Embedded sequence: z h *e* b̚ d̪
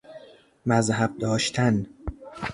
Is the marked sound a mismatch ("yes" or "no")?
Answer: yes